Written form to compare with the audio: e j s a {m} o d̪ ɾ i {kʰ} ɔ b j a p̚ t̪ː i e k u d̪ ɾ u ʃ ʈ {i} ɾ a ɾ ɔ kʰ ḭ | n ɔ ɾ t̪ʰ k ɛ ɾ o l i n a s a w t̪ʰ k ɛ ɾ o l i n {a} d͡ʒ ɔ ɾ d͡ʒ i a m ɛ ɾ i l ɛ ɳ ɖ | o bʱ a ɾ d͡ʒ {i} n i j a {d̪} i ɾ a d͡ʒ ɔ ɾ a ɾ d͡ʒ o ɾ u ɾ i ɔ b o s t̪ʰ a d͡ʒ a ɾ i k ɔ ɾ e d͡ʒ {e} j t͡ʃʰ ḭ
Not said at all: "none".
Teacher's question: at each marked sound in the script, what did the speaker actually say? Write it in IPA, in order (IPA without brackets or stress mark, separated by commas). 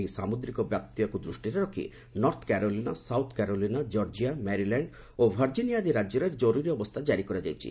m, k, i, a, i, d̪, a